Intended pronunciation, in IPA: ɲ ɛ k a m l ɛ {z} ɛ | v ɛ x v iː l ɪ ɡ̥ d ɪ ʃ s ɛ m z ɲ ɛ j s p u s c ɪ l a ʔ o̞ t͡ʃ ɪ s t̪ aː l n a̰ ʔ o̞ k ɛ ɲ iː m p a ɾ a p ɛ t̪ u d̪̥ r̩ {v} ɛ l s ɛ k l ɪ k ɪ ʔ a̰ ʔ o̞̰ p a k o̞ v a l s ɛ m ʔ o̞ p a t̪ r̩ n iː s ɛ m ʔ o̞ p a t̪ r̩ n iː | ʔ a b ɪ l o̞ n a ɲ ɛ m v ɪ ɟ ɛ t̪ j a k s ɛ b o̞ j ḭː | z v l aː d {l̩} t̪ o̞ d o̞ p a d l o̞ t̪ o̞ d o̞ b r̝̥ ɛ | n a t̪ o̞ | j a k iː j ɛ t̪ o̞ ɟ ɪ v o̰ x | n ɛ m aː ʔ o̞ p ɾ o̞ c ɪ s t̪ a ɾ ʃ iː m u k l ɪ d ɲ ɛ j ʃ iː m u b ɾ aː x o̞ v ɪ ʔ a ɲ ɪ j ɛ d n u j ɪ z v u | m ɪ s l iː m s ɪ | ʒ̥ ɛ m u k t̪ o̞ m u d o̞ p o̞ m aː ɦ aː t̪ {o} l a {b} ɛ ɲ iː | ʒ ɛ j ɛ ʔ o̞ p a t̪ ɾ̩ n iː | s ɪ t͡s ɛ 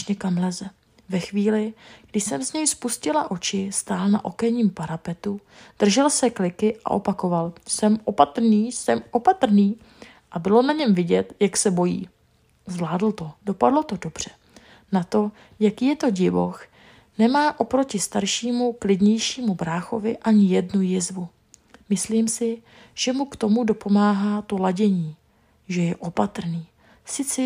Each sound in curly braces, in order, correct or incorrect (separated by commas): correct, incorrect, correct, correct, incorrect